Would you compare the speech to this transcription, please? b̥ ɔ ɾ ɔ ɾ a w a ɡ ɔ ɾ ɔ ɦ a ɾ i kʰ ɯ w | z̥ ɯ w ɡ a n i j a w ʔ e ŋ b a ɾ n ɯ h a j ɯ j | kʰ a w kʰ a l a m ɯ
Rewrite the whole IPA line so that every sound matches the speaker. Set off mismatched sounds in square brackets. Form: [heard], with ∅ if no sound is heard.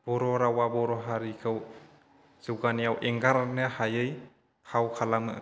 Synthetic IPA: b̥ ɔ ɾ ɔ ɾ a w a [b] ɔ ɾ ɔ ɦ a ɾ i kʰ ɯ w | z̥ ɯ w ɡ a n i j a w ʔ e ŋ [ɡ] a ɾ n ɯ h a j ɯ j | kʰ a w kʰ a l a m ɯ